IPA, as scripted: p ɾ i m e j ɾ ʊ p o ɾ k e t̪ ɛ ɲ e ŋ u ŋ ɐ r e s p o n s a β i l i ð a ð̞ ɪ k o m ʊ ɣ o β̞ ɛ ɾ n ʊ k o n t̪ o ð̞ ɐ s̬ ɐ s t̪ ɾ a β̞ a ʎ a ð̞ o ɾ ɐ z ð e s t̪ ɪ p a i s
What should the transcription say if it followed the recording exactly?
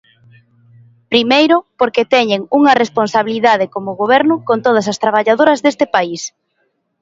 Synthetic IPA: p ɾ i m e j ɾ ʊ p o ɾ k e t̪ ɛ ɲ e ŋ u ŋ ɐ r e s p o n s a β i l i ð a ð̞ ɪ k o m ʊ ɣ o β̞ ɛ ɾ n ʊ k o n t̪ o ð̞ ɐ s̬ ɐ s t̪ ɾ a β̞ a ʎ a ð̞ o ɾ ɐ z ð e s t̪ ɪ p a i s